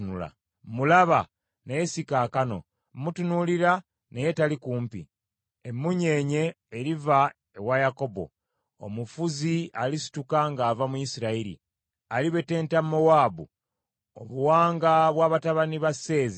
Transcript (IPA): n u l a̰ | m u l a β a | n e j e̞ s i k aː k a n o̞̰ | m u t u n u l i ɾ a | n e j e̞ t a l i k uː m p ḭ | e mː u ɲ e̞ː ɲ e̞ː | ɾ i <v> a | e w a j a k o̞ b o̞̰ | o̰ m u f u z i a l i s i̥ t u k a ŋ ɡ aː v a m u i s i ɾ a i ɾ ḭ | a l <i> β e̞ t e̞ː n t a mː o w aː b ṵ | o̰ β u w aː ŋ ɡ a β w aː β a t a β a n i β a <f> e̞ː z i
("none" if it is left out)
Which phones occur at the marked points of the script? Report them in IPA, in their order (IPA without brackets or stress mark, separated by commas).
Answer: v, i, s